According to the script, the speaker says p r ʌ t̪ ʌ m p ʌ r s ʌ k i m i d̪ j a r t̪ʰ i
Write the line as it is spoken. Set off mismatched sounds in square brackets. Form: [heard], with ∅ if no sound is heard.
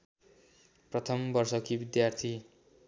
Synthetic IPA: p r ʌ [t̪ʰ] ʌ m [b] ʌ r s ʌ k i [b] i d̪ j a r t̪ʰ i